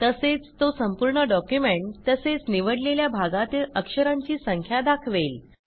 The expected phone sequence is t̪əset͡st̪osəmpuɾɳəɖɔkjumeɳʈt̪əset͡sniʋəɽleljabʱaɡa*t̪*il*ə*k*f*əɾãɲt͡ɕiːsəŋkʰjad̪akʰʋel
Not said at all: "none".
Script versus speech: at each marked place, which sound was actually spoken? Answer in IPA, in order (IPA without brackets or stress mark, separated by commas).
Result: t̪, ə, ʂ